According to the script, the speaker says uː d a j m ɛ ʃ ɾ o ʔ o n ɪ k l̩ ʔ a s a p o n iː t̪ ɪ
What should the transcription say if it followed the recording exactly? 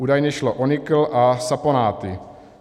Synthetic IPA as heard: uː d a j ɲ ɛ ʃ l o ʔ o n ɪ k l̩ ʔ a s a p o n aː t̪ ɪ